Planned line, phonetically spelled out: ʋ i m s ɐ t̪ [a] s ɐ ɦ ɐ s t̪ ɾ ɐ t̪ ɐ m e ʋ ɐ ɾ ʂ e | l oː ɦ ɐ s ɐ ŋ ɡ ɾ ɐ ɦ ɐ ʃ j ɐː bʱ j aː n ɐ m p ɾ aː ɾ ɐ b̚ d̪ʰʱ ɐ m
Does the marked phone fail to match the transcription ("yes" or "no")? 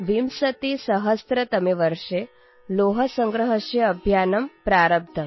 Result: yes